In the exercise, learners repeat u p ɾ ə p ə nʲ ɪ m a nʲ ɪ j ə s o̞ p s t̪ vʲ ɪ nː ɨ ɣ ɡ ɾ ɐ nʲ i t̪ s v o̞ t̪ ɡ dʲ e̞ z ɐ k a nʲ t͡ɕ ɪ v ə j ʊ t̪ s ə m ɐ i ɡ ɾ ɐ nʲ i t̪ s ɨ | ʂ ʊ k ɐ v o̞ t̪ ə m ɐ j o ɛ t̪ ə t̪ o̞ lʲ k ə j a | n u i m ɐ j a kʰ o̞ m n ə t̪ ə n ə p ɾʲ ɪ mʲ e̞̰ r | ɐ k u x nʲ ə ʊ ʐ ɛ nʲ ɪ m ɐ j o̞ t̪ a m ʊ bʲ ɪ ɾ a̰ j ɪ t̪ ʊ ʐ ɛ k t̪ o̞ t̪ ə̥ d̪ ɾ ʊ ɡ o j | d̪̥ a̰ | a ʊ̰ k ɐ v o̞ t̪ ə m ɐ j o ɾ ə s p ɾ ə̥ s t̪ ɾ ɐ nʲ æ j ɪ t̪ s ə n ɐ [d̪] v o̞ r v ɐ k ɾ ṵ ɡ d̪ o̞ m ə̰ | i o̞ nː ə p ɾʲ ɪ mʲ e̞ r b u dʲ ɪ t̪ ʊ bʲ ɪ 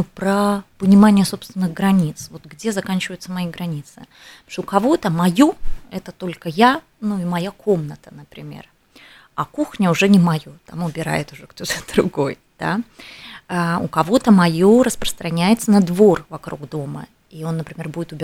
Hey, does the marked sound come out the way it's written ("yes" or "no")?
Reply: yes